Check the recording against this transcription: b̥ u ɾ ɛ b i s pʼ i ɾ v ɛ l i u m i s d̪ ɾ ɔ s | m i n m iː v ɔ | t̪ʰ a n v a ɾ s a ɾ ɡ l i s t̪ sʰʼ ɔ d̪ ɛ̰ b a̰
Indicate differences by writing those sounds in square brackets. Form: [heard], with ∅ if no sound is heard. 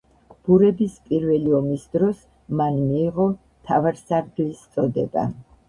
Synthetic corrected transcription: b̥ u ɾ ɛ b i s pʼ i ɾ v ɛ l i [ɔ] m i s d̪ ɾ ɔ s | m [a] n m iː [ʁ] ɔ | t̪ʰ a [∅] v a ɾ s a ɾ ɡ l i s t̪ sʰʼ ɔ d̪ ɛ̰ b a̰